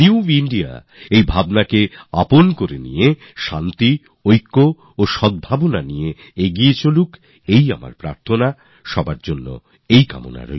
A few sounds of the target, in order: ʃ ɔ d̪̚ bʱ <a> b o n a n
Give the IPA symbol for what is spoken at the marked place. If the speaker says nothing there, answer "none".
a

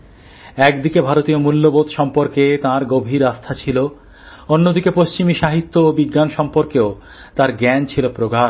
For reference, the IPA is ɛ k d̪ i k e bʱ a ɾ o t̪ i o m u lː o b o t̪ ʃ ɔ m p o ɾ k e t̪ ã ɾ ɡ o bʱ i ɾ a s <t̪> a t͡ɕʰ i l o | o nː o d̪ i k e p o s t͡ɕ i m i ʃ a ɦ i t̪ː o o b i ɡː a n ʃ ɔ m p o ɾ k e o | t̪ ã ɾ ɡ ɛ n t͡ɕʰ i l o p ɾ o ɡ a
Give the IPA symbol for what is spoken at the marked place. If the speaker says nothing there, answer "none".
t̪ʰ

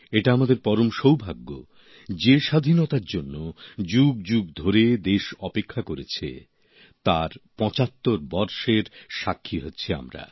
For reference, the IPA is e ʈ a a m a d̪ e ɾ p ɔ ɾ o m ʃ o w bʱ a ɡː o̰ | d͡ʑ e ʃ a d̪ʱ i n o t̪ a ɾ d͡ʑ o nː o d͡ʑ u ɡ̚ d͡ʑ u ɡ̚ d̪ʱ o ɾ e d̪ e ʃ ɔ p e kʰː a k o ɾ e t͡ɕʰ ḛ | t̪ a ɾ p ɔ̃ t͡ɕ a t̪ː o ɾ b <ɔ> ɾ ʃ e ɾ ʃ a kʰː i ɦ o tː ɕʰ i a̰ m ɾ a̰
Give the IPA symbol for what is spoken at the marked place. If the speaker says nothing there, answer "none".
ɔ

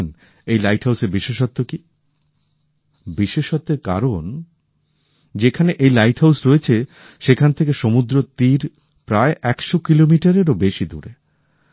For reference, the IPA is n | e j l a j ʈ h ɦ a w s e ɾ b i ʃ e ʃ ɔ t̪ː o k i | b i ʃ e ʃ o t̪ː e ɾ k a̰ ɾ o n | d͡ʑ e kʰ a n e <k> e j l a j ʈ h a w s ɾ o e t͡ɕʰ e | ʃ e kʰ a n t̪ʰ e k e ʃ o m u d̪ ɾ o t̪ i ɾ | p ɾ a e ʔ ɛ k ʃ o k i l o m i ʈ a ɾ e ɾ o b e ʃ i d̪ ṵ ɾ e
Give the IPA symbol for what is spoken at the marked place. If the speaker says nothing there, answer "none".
ʔ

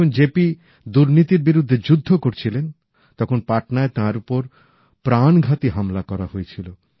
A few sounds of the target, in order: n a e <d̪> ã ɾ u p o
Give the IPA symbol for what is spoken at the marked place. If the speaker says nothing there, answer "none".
t̪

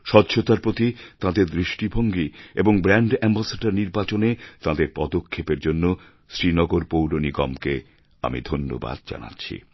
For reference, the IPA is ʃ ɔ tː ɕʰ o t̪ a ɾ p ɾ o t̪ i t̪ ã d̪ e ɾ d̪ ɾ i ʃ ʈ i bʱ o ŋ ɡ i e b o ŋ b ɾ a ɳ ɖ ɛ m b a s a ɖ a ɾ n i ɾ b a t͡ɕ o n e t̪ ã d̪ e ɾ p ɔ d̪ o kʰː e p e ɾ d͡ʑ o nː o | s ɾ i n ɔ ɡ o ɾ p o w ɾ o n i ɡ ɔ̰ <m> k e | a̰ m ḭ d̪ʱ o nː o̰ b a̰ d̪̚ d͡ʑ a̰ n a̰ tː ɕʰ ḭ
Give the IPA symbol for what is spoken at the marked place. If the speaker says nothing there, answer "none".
m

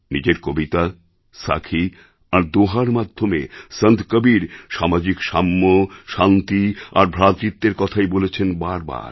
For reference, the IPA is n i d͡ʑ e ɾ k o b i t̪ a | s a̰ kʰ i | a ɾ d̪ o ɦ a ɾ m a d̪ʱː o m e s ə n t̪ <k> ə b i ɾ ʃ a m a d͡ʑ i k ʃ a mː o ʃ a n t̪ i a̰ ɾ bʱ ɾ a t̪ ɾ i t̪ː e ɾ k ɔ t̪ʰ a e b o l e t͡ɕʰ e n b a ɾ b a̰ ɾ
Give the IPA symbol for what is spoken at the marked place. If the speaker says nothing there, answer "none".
k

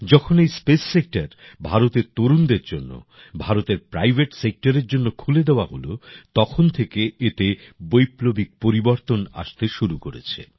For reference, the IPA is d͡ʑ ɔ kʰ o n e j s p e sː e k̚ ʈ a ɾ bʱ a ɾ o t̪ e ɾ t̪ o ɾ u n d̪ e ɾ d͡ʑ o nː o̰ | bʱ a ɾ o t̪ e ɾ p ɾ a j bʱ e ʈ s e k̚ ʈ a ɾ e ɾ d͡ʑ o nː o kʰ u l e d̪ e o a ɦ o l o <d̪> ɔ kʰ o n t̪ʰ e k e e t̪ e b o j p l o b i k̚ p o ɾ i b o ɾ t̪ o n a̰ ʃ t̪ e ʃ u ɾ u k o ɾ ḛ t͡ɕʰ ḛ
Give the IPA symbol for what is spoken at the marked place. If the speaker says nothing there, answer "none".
t̪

